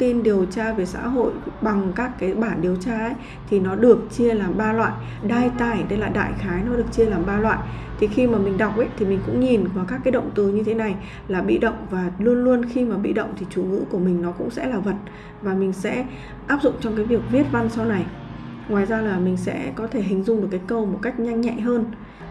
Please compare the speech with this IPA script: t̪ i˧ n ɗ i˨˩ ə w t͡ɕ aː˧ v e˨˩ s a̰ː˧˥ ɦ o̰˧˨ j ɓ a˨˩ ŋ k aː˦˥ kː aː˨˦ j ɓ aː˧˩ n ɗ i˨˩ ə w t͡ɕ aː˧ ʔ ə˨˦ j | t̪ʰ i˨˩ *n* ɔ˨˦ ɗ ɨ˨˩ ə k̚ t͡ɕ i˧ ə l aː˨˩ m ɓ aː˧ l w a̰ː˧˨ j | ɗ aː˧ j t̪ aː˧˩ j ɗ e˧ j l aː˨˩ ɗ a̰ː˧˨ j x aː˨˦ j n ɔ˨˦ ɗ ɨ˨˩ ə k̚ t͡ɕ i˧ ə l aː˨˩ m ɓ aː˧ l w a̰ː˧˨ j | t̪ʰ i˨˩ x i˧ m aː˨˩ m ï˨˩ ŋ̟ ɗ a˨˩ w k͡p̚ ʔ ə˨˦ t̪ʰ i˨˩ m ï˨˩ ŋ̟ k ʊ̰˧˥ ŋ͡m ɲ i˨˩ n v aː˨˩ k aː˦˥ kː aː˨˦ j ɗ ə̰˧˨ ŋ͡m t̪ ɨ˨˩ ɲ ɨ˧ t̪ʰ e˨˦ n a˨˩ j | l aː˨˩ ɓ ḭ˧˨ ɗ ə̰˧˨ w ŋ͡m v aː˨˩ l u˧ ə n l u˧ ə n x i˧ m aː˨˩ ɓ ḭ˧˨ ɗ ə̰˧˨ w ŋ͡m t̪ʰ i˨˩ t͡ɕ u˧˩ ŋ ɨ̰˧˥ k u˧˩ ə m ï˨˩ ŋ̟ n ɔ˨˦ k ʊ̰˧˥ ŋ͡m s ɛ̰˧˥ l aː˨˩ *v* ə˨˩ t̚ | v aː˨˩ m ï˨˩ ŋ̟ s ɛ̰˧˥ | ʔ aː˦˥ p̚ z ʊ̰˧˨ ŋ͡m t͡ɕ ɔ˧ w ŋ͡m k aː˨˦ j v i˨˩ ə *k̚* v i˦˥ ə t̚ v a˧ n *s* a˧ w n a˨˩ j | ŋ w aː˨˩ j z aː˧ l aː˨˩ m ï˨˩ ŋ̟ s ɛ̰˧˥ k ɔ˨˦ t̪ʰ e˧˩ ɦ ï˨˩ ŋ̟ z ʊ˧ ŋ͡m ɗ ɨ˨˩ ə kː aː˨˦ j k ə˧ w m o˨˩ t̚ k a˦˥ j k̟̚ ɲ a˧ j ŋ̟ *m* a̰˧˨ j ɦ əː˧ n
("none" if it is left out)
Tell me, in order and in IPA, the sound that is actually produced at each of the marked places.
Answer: n, v, k̚, s, ɲ

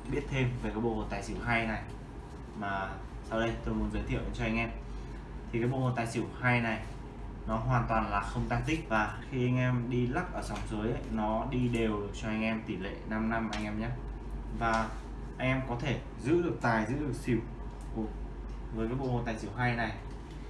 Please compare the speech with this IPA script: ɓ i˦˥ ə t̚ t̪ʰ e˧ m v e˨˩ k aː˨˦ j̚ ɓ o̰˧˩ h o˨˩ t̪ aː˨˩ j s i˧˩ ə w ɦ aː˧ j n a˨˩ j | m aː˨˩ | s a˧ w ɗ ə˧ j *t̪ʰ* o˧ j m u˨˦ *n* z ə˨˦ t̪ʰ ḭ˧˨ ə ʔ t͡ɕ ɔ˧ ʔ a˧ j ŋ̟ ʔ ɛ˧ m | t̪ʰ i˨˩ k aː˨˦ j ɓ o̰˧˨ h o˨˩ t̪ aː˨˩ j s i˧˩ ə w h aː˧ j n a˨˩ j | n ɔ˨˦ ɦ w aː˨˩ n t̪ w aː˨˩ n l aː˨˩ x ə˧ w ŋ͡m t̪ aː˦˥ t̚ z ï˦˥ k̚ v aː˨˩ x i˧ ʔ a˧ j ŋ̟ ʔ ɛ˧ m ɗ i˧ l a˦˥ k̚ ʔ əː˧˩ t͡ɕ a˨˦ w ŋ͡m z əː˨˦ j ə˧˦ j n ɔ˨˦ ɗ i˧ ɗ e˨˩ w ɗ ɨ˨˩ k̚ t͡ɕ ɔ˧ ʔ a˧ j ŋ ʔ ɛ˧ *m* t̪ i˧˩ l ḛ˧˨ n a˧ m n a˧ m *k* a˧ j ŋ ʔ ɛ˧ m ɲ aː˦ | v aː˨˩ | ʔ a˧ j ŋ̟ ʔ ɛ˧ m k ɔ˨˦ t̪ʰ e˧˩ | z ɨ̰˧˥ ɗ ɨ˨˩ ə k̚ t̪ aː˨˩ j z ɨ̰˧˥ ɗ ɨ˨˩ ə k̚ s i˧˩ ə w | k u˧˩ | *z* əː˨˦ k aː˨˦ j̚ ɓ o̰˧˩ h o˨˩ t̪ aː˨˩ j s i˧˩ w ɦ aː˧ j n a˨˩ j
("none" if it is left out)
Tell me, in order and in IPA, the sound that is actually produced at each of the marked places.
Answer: t̪, n, m, ʔ, v

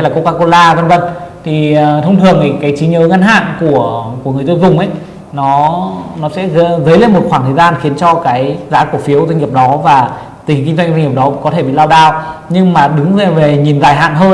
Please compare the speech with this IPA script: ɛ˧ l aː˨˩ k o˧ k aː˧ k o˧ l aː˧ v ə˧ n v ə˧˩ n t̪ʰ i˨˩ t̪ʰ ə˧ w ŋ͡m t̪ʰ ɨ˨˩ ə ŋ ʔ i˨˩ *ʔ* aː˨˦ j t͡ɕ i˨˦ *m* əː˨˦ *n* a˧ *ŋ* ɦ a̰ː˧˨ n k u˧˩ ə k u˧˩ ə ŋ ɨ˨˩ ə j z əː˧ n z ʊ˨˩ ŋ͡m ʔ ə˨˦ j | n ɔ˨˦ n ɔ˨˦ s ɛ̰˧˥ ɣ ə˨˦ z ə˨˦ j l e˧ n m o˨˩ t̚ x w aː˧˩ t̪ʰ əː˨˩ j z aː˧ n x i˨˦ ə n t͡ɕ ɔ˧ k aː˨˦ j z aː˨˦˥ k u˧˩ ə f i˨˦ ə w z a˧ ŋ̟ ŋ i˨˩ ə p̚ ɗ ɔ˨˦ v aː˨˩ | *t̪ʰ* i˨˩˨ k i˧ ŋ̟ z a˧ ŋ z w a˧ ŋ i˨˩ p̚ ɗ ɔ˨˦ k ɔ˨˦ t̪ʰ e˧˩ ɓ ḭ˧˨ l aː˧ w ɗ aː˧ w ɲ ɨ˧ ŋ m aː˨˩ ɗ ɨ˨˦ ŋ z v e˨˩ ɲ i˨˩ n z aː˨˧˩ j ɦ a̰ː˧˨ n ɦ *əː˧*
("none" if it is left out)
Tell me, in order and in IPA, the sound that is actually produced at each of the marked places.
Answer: k, ɲ, ŋ, n, t̪, əː˧

